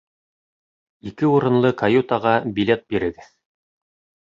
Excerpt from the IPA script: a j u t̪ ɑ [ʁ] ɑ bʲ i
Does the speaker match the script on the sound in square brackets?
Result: yes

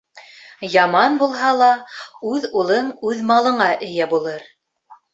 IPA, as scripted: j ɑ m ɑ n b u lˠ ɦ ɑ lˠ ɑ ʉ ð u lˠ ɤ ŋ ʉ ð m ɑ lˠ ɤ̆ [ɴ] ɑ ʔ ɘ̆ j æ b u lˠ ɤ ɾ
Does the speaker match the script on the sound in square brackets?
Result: yes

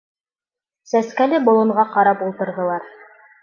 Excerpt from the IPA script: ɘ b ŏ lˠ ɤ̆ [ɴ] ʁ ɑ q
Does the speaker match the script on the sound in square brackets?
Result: yes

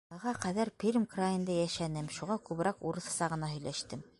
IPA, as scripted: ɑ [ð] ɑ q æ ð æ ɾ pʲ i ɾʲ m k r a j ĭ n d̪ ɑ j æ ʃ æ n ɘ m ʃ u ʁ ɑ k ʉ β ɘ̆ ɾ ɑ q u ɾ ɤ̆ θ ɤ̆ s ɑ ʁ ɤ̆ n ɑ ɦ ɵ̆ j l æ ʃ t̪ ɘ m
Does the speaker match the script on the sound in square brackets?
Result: no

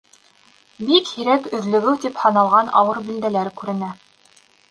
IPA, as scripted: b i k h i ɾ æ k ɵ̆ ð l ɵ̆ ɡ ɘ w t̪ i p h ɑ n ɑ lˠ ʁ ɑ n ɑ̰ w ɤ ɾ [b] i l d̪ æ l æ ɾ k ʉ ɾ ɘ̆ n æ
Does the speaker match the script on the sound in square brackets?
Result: yes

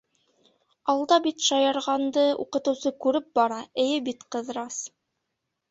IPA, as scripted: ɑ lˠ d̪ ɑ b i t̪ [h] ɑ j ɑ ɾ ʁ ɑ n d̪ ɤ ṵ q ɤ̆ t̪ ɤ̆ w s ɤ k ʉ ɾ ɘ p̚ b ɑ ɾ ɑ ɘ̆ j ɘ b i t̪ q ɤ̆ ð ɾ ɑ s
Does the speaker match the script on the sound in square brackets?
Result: no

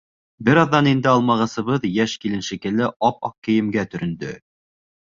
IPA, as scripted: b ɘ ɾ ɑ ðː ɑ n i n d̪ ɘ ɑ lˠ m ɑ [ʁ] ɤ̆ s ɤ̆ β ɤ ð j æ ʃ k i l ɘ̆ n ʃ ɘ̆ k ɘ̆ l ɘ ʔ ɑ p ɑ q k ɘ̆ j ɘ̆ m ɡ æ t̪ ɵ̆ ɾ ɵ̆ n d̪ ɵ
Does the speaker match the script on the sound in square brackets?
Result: yes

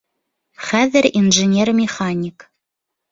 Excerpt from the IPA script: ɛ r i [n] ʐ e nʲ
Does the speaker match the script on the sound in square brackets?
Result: yes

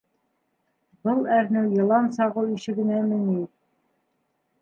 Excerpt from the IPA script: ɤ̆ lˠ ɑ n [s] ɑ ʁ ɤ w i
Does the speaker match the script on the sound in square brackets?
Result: yes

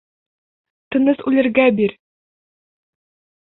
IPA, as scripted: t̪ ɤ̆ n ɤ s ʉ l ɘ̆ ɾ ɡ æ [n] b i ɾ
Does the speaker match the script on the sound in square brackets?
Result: no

